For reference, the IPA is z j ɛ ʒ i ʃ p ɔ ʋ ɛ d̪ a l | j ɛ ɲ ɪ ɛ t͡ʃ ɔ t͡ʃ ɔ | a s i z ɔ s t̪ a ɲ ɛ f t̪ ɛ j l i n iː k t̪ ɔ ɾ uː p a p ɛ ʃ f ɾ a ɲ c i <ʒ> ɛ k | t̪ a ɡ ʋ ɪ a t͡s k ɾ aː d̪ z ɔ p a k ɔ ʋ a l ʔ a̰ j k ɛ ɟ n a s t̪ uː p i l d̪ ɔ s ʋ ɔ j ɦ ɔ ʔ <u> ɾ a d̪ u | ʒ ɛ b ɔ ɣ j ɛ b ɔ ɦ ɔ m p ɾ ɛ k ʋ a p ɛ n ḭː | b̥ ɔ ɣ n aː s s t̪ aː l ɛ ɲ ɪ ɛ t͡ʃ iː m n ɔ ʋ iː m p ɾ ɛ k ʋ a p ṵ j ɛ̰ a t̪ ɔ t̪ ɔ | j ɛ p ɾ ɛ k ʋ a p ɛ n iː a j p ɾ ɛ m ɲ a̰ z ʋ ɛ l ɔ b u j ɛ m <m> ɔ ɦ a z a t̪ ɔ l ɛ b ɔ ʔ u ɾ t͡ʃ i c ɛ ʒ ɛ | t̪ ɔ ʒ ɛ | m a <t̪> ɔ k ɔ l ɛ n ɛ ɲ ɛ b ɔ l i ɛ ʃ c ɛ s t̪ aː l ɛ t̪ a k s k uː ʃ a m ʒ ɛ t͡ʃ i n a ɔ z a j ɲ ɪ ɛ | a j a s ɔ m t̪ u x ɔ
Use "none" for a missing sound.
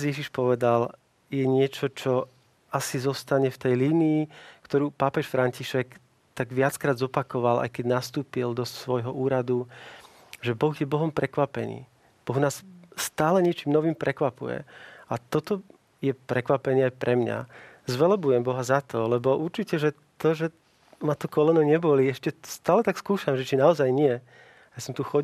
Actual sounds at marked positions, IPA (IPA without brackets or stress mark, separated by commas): ʃ, uː, b, t̪